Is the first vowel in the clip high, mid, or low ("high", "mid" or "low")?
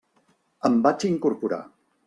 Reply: mid